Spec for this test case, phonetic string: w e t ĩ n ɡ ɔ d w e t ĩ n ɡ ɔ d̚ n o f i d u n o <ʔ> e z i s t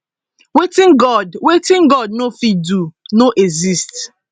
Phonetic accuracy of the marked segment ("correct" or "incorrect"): correct